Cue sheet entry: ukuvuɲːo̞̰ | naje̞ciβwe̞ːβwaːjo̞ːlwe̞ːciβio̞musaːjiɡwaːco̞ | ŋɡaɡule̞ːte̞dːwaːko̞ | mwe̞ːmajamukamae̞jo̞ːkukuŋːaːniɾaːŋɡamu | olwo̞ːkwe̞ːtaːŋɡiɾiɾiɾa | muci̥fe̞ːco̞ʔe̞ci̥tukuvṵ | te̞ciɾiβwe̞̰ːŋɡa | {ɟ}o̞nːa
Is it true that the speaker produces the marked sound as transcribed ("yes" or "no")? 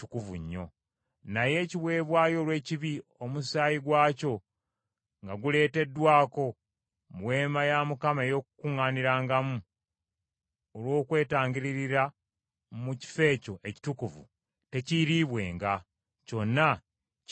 no